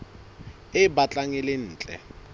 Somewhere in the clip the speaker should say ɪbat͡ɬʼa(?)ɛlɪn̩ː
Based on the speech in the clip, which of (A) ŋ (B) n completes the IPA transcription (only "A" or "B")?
A